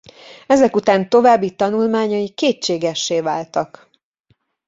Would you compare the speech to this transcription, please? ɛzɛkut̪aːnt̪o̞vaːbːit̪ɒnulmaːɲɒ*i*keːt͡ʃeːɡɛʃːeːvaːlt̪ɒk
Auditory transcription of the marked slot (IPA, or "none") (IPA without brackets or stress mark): i